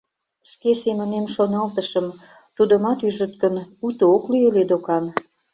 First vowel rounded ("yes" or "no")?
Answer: no